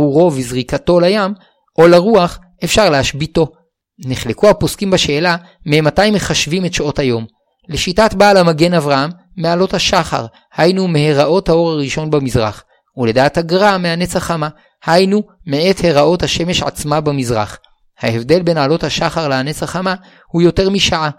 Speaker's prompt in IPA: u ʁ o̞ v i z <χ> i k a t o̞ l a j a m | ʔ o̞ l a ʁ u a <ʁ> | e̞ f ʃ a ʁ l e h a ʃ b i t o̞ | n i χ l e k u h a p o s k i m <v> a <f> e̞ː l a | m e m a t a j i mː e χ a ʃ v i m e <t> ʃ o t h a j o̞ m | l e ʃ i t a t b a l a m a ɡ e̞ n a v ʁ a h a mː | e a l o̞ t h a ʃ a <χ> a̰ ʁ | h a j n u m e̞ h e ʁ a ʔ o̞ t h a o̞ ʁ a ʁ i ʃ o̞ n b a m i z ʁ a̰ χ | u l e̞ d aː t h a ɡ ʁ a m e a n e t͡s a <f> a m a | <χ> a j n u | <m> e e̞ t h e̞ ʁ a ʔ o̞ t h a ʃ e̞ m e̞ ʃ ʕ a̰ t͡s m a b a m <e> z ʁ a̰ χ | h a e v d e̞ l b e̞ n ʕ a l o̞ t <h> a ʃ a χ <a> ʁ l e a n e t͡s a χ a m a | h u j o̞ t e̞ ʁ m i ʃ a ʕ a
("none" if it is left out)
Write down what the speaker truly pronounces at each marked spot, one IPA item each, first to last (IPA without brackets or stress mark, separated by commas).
ʁ, χ, b, ʃ, t, χ, χ, h, m, i, h, a